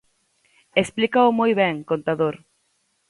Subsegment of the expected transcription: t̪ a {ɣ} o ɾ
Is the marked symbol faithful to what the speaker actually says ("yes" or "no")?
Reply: no